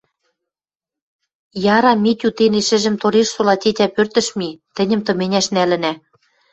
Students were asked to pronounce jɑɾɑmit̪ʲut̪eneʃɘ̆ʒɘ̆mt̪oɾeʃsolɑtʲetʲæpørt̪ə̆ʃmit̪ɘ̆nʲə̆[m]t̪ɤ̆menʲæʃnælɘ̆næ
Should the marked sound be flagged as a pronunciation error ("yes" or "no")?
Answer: no